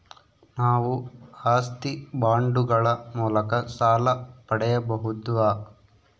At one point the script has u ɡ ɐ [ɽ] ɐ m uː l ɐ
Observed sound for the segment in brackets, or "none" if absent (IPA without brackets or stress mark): ɭ